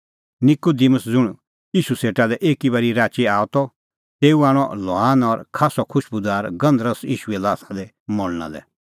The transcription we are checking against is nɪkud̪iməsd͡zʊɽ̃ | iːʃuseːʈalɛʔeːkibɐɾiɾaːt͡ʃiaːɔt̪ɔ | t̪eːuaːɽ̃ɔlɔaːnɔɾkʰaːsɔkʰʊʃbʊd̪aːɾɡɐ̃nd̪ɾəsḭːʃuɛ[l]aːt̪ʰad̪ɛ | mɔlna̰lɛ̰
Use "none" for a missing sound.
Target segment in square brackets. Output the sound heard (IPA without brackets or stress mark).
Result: l